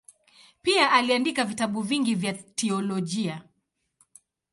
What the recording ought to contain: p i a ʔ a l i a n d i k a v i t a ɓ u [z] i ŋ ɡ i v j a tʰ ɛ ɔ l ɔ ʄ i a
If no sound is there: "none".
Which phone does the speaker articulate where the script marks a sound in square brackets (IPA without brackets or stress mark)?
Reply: v